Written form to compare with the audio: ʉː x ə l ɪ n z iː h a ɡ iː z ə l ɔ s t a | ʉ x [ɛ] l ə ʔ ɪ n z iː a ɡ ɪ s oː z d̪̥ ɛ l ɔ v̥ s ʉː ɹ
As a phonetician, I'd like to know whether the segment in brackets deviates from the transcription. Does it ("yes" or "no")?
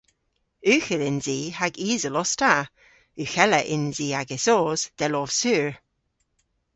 no